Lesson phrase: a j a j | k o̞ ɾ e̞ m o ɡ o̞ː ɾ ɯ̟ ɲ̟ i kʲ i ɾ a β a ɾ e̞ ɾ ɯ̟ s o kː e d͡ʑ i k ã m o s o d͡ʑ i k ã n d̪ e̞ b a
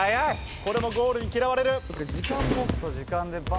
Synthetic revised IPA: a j a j | k o̞ ɾ e̞ m o ɡ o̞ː ɾ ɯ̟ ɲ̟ i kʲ i ɾ a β a ɾ e̞ ɾ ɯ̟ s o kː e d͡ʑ i k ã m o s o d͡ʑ i k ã n d̪ e̞ b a